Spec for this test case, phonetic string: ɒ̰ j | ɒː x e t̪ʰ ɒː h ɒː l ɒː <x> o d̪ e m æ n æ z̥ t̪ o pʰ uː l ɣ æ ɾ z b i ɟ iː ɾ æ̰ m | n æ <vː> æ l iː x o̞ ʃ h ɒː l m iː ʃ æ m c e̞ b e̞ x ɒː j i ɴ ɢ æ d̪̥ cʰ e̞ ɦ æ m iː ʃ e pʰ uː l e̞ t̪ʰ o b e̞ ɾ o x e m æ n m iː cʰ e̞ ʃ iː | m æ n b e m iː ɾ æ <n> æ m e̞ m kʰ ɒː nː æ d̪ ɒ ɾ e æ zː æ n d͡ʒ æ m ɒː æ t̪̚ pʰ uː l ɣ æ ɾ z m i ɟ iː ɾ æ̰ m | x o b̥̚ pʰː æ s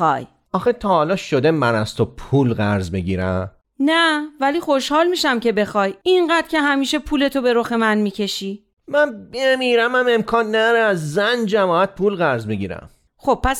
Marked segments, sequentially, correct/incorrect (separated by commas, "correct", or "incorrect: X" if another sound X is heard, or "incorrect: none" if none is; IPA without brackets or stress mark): incorrect: ʃ, incorrect: v, incorrect: m